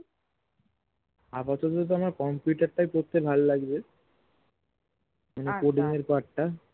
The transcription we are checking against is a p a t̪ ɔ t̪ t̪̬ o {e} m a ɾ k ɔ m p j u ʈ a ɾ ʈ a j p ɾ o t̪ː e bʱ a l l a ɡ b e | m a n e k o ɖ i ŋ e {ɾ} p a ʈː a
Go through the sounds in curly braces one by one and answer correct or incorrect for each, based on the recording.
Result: incorrect, correct

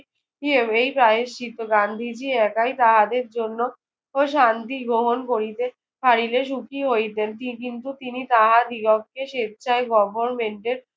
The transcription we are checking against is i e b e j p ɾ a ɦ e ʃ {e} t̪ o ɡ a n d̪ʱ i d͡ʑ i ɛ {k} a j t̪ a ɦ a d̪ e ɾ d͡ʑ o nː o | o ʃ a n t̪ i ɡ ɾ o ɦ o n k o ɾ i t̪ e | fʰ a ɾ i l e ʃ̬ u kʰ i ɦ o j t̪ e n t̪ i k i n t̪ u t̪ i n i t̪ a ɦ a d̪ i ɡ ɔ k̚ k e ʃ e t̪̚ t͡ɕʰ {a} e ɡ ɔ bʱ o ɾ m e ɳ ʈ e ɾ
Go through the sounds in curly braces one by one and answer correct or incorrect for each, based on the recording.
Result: incorrect, correct, correct

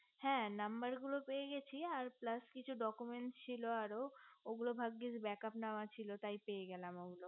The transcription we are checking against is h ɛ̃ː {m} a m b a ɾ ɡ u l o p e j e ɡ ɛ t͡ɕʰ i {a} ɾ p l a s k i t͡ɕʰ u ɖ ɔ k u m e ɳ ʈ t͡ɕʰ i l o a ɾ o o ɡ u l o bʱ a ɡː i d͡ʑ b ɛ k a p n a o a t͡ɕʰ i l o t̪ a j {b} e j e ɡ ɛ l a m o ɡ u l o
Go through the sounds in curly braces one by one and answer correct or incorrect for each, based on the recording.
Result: incorrect, correct, incorrect

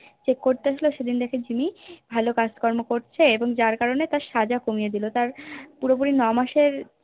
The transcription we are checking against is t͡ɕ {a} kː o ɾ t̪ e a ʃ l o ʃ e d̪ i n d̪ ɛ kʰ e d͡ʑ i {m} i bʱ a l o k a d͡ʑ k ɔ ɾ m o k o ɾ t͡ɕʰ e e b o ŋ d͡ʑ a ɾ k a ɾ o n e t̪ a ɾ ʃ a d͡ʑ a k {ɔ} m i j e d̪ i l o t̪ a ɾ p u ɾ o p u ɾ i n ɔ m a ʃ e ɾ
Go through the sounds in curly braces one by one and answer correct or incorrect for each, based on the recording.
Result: incorrect, correct, incorrect

